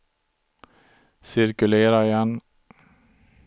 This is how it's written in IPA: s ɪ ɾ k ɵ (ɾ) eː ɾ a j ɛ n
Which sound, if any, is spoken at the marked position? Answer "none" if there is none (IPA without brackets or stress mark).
l